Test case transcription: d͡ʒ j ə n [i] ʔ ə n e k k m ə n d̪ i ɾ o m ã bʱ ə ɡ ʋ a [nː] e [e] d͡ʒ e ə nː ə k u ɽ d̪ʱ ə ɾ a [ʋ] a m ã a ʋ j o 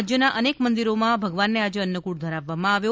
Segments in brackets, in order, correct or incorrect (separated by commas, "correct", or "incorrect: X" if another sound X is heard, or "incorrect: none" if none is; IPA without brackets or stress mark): incorrect: a, correct, incorrect: a, incorrect: ʋː